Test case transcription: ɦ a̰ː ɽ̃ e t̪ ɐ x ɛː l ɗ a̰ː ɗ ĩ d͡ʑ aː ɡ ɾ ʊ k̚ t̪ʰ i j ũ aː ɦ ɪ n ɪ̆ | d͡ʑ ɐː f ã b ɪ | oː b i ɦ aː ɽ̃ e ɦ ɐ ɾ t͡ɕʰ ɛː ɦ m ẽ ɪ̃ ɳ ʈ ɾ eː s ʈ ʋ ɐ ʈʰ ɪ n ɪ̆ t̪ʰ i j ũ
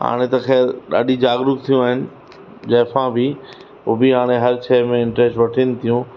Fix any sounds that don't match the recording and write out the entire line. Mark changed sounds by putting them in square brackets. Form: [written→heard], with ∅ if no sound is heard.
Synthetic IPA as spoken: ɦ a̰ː ɽ̃ e t̪ ɐ x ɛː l ɗ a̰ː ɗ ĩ d͡ʑ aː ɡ ɾ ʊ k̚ t̪ʰ i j ũ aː ɦ ɪ n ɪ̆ | d͡ʑ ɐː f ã b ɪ | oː b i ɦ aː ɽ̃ e ɦ ɐ ɾ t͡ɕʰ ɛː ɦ m ẽ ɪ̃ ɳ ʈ ɾ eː s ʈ ʋ ɐ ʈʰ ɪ n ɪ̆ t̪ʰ i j ũ